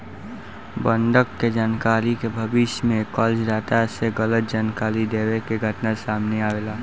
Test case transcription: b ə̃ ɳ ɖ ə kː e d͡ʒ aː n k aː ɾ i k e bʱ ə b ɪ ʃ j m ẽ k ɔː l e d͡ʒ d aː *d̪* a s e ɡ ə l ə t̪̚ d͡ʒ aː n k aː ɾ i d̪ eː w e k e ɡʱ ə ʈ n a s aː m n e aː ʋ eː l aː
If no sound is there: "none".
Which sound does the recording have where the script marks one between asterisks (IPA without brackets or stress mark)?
t̪